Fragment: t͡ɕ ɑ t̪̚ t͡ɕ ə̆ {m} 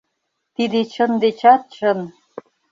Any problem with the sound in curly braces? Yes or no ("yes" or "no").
yes